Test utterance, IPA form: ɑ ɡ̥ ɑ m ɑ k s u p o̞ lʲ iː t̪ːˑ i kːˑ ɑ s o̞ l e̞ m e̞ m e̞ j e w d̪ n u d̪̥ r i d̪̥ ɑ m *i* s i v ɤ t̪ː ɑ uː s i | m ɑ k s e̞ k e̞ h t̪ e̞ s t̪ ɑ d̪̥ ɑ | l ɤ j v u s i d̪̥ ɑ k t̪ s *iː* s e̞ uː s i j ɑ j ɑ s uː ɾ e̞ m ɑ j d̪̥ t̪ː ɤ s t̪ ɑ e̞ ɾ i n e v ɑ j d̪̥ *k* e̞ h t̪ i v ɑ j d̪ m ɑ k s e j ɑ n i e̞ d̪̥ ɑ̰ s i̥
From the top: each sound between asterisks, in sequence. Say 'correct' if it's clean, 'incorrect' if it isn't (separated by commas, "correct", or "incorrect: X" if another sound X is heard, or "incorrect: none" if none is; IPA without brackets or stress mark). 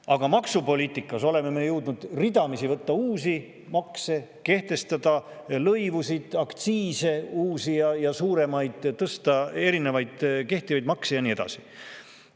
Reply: correct, correct, correct